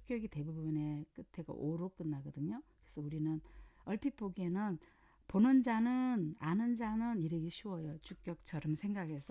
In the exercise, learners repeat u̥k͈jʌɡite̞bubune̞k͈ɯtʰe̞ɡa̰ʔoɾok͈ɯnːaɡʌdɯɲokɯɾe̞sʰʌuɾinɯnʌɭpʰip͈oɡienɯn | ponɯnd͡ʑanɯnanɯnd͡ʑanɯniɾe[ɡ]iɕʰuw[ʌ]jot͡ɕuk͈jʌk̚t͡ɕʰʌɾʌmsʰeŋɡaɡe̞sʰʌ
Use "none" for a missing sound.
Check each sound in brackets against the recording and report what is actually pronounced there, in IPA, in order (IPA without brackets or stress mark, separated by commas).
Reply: ɡ, ʌ